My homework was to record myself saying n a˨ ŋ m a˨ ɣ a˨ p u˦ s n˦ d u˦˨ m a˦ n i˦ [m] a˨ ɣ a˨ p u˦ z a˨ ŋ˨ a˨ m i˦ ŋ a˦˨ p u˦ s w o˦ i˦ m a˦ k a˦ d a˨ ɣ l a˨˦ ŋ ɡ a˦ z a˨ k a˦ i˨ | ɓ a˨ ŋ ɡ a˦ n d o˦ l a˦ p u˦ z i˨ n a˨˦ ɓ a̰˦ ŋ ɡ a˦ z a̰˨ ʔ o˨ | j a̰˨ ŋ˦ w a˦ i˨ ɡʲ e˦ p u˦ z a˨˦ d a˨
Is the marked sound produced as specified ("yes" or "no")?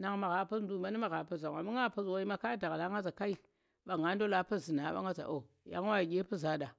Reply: yes